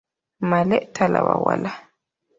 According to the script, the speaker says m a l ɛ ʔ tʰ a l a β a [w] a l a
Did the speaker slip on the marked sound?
no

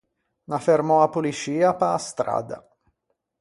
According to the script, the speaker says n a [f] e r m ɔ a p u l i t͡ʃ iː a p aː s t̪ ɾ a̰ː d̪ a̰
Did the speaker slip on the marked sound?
no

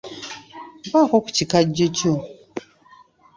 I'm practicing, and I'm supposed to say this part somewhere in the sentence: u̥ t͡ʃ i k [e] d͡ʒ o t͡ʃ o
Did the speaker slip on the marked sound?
yes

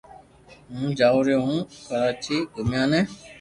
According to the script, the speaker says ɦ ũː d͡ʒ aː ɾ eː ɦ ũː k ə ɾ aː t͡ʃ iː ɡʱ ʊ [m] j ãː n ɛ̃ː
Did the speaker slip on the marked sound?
no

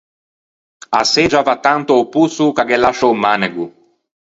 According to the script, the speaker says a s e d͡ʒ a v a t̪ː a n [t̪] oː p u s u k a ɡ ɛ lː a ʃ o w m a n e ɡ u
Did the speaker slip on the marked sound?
no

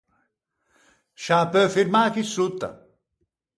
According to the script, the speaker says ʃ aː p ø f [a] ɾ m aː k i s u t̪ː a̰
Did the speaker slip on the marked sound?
yes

